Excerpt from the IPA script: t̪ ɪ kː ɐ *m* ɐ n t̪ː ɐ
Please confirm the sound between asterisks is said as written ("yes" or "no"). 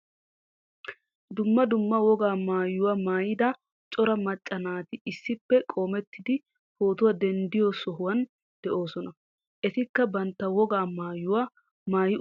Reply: no